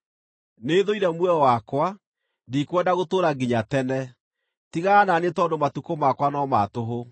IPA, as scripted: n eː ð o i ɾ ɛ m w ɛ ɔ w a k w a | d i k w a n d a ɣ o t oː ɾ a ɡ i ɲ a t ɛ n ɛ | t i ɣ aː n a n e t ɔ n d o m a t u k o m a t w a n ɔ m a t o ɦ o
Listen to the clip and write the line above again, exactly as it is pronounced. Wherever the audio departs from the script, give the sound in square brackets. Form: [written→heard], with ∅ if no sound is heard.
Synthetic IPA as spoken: n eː ð o i ɾ ɛ m w ɛ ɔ w a k w a | d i k w [a→ɛ] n d a ɣ o t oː ɾ a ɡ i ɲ a t ɛ n ɛ | t i ɣ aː n a n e t ɔ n d o m a t u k o m a [t→k] w a n ɔ m a t o ɦ o